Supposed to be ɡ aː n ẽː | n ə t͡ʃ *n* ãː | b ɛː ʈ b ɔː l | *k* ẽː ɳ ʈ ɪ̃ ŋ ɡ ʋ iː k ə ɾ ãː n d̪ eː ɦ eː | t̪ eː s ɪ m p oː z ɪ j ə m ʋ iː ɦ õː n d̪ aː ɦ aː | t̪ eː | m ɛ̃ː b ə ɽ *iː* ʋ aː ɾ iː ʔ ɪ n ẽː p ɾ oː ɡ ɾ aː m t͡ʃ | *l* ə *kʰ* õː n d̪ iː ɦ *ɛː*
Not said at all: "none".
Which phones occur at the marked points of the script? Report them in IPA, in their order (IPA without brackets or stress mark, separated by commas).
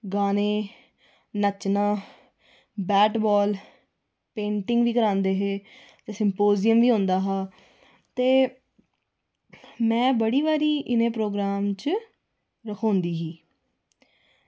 n, p, iː, ɾ, kʰ, iː